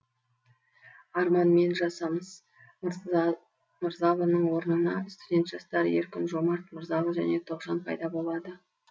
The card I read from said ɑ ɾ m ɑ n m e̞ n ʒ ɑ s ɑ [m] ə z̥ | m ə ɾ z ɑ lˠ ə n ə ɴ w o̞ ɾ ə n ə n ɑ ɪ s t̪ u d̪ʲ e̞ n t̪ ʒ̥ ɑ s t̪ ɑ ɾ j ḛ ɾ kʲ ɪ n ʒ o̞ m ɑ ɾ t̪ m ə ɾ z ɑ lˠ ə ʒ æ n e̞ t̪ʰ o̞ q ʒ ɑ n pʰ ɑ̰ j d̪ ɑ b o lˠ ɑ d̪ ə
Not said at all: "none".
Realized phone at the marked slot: m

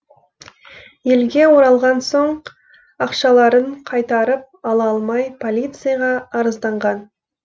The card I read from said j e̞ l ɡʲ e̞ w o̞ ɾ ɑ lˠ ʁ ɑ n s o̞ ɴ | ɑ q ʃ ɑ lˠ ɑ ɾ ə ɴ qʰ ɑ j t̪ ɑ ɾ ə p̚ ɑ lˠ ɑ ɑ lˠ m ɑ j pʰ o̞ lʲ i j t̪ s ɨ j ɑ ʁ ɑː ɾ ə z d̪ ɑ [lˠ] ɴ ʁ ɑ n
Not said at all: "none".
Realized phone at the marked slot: none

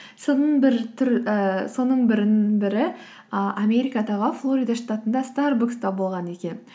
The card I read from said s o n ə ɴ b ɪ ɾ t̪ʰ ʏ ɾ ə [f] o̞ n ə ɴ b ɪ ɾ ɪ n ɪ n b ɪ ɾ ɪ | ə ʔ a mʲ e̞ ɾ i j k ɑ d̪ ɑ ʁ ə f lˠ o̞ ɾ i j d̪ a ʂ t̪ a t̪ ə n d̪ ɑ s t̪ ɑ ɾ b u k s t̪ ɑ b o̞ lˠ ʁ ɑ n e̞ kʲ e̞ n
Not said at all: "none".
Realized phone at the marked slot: s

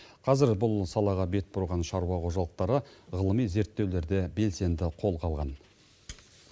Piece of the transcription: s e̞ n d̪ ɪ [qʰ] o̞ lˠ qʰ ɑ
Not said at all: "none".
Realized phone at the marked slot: qʰ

